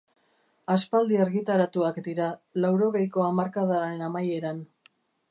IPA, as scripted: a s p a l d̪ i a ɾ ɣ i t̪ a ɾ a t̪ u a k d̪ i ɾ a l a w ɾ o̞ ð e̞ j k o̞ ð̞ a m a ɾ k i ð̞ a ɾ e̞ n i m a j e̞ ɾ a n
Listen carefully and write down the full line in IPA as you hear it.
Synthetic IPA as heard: a s p a l d̪ i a ɾ ɣ i t̪ a ɾ a t̪ u a k d̪ i ɾ a l a w ɾ o̞ ɣ e̞ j k o̞ a m a ɾ k a ð̞ a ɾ e̞ n a m a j e̞ ɾ a n

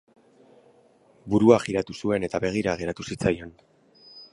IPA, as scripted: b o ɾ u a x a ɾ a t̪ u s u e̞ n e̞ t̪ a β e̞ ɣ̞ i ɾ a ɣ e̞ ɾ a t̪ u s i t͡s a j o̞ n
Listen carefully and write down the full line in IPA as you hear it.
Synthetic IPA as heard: b u ɾ u a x i ɾ a t̪ u s u e̞ n e̞ t̪ a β e̞ ɣ̞ i ɾ a ɣ e̞ ɾ a t̪ u s i t͡s a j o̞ n

